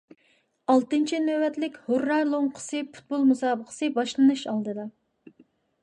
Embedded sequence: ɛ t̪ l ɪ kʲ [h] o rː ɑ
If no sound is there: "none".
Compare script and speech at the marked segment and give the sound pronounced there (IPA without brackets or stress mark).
h